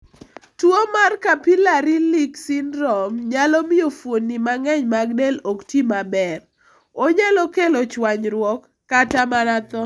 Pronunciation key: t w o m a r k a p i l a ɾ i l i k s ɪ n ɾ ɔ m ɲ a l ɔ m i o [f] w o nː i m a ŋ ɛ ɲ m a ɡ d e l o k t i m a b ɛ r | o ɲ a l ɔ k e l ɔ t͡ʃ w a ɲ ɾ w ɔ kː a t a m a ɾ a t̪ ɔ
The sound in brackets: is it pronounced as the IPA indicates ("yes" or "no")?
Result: yes